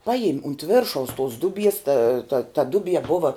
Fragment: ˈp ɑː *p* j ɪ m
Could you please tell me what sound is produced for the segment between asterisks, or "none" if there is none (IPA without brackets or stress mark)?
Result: none